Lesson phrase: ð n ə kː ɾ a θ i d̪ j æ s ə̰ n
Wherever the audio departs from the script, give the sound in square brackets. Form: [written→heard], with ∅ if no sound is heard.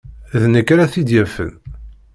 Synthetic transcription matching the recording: ð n ə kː ɾ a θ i d̪ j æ [s→f] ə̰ n